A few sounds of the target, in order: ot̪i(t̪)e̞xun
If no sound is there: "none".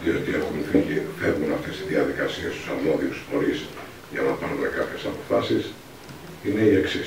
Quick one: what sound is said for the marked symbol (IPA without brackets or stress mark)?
none